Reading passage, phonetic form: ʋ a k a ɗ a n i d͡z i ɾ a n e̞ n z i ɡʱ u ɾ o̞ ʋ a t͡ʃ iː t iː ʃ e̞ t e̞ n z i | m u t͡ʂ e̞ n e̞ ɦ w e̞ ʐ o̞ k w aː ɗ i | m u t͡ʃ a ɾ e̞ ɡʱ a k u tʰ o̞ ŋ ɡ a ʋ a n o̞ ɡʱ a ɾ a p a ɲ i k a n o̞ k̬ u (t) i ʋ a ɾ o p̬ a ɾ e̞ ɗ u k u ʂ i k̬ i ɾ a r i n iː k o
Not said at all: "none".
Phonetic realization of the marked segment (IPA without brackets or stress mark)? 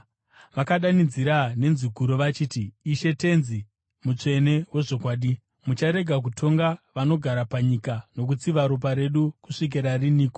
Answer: t͡s